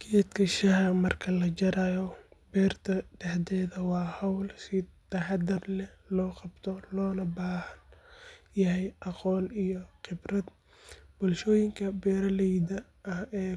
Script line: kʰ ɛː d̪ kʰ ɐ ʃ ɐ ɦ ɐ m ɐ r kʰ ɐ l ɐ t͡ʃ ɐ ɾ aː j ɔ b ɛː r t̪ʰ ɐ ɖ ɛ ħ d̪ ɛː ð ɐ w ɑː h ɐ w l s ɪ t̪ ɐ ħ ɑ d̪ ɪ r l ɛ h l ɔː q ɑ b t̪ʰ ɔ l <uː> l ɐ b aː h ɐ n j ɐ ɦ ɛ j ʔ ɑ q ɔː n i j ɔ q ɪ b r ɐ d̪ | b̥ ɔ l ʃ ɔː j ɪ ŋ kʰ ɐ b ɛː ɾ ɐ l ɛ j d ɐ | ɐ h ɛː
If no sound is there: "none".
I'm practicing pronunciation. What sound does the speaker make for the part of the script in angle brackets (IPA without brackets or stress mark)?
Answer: ɔː